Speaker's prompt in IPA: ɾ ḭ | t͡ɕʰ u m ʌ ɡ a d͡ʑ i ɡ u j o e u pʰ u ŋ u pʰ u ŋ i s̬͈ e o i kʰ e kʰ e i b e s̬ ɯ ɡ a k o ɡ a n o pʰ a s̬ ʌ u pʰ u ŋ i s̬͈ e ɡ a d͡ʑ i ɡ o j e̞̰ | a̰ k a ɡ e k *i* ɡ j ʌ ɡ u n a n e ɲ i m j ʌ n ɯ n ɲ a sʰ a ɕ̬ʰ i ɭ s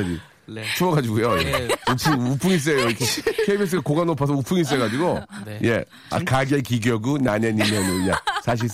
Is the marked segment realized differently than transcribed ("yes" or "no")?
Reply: no